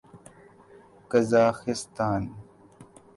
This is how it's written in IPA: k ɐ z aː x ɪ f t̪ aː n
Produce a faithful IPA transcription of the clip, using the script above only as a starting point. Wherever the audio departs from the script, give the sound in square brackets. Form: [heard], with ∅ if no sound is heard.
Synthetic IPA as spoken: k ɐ z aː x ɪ [s] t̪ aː n

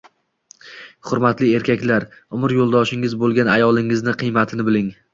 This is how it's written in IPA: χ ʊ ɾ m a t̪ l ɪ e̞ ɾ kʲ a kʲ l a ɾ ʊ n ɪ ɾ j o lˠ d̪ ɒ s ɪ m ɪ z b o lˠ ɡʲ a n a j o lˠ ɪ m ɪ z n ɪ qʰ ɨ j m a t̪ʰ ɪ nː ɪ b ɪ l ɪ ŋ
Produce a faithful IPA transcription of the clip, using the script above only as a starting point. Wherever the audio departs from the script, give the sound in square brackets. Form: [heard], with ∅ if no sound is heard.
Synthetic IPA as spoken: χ ʊ ɾ m a t̪ l ɪ e̞ ɾ kʲ a kʲ l a ɾ ʊ [m] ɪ ɾ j o lˠ d̪ ɒ [ʃ] ɪ [ŋ] ɪ z b o lˠ ɡʲ a n a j [ɒ] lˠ ɪ [ŋ] ɪ z n ɪ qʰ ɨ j m a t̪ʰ ɪ [n] ɪ b ɪ l ɪ ŋ

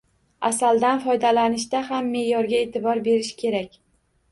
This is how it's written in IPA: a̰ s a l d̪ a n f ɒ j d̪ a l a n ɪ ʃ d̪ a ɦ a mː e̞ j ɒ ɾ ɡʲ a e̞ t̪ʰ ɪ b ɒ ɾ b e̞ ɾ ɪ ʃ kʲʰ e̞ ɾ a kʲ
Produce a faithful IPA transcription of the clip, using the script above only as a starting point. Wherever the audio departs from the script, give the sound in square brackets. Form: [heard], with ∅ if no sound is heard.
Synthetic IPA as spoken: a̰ s a l d̪ a n f ɒ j d̪ a l a n ɪ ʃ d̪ a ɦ a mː e̞ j ɒ ɾ ɡʲ a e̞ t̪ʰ ɪ b ɒ ɾ b e̞ ɾ ɪ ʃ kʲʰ e̞ ɾ a kʲ

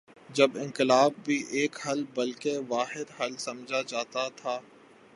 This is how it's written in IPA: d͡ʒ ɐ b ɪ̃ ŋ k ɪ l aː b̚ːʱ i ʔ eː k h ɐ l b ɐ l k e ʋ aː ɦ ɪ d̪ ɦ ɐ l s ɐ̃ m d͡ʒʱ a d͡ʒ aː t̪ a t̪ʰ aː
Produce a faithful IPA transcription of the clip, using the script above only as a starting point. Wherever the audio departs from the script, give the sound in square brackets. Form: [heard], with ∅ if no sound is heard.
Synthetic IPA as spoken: d͡ʒ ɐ b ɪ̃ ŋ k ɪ l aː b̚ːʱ i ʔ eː k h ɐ l b ɐ l k e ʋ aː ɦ ɪ d̪ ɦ ɐ l s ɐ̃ m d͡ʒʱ a d͡ʒ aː t̪ a t̪ʰ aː

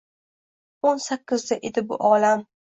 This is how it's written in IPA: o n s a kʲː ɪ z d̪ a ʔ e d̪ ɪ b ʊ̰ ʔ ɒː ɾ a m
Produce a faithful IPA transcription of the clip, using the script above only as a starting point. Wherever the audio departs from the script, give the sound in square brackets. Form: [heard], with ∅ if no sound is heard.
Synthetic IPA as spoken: o n s a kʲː ɪ z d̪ a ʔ e d̪ ɪ b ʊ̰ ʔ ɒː [l] a m

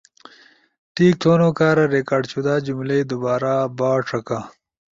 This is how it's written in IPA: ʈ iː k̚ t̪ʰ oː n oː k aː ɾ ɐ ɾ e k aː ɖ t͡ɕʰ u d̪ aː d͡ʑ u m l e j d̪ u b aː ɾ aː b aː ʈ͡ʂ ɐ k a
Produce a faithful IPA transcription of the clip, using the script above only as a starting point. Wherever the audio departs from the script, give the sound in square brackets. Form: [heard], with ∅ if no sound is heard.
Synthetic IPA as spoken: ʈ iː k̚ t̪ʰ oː n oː k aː ɾ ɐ ɾ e k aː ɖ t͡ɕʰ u d̪ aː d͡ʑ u m l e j d̪ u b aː ɾ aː b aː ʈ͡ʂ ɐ k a

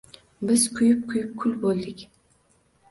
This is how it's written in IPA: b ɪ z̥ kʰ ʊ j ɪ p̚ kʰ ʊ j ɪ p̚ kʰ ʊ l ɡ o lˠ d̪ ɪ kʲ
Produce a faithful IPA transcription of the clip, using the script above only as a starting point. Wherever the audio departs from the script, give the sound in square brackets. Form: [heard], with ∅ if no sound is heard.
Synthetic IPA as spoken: b ɪ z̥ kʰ ʊ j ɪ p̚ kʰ ʊ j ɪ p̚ kʰ ʊ l [b] o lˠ d̪ ɪ kʲ

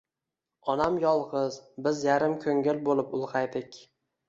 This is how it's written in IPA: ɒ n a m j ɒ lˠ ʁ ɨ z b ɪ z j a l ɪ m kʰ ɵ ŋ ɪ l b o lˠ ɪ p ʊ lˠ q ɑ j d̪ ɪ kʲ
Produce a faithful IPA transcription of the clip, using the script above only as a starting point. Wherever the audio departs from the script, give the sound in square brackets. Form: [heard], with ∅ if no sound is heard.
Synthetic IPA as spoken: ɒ n a m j ɒ lˠ ʁ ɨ z b ɪ z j a [ɾ] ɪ m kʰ ɵ ŋ ɪ l b o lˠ ɪ p ʊ lˠ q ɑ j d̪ ɪ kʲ

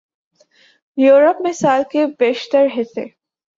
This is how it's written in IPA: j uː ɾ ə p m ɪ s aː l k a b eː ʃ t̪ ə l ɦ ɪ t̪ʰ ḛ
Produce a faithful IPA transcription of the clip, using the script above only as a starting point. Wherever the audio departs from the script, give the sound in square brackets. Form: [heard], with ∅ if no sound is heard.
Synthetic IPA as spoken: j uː ɾ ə p m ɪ s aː l k [e] b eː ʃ t̪ ə [ɾ] ɦ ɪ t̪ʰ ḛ

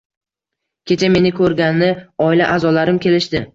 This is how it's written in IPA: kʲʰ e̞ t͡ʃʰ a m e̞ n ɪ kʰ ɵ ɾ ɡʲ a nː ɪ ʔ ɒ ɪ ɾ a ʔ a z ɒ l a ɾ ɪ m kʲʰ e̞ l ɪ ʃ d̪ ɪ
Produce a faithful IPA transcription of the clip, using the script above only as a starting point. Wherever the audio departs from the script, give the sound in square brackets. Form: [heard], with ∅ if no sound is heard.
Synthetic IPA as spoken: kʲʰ e̞ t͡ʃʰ a m e̞ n ɪ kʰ ɵ ɾ ɡʲ a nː ɪ [∅] ɒ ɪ [l] a ʔ a z ɒ l a ɾ ɪ m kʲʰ e̞ l ɪ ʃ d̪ ɪ

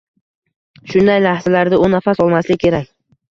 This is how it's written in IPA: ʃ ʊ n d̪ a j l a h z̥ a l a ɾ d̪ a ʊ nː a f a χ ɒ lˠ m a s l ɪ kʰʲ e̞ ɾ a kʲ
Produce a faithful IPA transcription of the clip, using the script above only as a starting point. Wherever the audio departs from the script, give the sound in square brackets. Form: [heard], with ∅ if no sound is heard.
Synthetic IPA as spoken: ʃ ʊ n d̪ a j l a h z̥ a l a ɾ d̪ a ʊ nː a f a [s] ɒ lˠ m a s l ɪ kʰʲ e̞ ɾ a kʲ

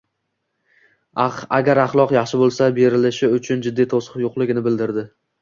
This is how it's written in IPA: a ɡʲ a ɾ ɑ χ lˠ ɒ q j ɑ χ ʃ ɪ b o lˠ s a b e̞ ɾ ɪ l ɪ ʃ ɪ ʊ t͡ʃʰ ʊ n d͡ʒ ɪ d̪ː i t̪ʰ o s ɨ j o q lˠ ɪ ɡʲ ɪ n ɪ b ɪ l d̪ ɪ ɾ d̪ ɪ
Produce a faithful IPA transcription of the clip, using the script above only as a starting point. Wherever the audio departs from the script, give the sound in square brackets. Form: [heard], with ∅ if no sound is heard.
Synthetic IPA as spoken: a ɡʲ a ɾ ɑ χ lˠ ɒ q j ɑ χ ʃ ɪ b o lˠ s a b e̞ ɾ ɪ l ɪ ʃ ɪ ʊ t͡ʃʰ ʊ n d͡ʒ ɪ d̪ː i t̪ʰ o s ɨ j o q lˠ ɪ ɡʲ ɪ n ɪ b ɪ l d̪ ɪ ɾ d̪ ɪ

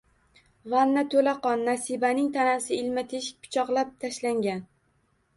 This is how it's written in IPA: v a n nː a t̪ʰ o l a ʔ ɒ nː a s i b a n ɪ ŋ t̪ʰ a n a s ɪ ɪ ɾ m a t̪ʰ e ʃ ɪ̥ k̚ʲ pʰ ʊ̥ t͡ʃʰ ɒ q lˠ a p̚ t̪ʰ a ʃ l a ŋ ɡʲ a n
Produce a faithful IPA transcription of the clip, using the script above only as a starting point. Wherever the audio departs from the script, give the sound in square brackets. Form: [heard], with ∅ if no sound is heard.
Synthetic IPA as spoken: v a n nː a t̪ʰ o l a [q] ɒ nː a s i b a n ɪ ŋ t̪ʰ a n a s ɪ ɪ [l] m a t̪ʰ e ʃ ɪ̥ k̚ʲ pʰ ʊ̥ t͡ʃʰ ɒ q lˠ a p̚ t̪ʰ a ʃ l a ŋ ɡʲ a n

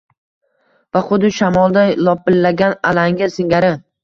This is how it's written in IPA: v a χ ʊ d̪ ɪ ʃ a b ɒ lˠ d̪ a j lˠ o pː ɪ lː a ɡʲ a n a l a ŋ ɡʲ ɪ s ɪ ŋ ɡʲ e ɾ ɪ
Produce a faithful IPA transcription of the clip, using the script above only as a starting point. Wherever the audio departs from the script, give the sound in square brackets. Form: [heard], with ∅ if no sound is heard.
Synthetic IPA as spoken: v a χ ʊ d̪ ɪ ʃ a [m] ɒ lˠ d̪ a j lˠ [ɒ] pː ɪ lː a ɡʲ a n a l a ŋ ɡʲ ɪ s ɪ ŋ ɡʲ [a] ɾ ɪ

